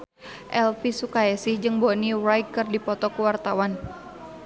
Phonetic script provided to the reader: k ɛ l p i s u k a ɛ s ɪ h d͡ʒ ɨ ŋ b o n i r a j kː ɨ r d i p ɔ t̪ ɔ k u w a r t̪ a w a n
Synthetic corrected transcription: ʔ ɛ l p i s u k a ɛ s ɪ h d͡ʒ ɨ ŋ b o n i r a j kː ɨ r d i p ɔ t̪ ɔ k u w a r t̪ a w a n